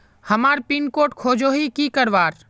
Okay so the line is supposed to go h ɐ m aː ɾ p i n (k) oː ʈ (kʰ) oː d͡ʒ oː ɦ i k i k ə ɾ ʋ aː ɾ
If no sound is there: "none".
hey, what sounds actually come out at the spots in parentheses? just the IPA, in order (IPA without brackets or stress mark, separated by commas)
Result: k, kʰ